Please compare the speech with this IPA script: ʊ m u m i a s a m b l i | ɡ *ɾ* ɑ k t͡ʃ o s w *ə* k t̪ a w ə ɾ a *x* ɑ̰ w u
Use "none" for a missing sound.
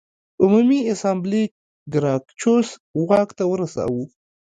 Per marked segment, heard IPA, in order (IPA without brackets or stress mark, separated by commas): ɾ, ɑ, s